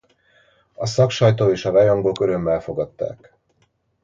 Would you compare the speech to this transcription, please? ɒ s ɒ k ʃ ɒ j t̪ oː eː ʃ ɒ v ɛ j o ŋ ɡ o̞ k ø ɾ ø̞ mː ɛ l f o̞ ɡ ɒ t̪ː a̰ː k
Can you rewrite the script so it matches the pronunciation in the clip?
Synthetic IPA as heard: ɒ s ɒ k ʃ ɒ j t̪ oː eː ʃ ɒ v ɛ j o ŋ ɡ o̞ k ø ɾ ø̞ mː ɛ l f o̞ ɡ ɒ t̪ː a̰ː k